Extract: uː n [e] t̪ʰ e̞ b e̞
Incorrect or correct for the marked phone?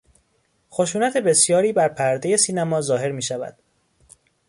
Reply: incorrect: æ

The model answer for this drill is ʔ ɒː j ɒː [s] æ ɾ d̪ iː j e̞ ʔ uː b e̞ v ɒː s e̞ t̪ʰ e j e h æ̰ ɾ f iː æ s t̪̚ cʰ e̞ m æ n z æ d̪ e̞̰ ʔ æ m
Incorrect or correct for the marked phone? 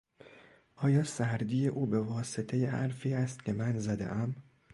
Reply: correct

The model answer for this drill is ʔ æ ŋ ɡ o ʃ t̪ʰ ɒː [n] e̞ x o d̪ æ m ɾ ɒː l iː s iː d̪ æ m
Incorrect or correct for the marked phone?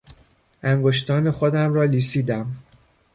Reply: correct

